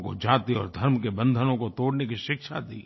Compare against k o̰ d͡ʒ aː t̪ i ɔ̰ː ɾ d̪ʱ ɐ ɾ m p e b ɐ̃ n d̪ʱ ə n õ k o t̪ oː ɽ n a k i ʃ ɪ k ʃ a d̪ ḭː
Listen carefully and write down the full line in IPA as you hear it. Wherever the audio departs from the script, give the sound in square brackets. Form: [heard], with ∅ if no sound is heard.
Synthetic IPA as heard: k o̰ d͡ʒ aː t̪ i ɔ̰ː ɾ d̪ʱ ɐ ɾ m [k] e b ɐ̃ n d̪ʱ ə n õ k o t̪ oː ɽ n [e] k i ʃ ɪ k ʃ a d̪ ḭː